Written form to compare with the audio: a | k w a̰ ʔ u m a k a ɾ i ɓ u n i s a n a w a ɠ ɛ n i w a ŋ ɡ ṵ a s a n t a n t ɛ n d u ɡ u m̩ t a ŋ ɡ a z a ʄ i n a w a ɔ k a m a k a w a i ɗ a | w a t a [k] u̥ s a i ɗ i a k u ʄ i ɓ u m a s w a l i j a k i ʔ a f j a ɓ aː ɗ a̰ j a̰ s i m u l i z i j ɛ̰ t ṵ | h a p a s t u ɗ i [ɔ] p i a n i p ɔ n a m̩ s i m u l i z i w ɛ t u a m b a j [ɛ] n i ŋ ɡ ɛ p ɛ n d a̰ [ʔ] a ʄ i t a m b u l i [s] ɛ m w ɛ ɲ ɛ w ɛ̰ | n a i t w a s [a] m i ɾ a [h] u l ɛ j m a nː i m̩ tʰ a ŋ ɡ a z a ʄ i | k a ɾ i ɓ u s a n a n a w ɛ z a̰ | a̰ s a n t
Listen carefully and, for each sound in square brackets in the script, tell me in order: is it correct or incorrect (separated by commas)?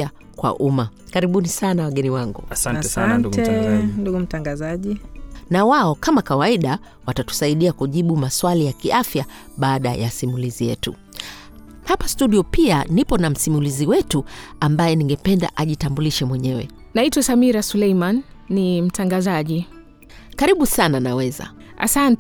incorrect, correct, correct, correct, incorrect, correct, incorrect